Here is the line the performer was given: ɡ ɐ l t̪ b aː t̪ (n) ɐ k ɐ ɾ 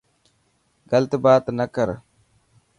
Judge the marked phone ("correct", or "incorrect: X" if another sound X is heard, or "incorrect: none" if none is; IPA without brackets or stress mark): correct